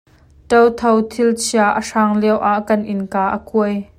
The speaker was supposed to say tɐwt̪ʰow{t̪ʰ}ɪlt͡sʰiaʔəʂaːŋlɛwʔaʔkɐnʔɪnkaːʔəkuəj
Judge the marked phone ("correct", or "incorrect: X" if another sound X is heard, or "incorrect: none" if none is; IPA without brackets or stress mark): correct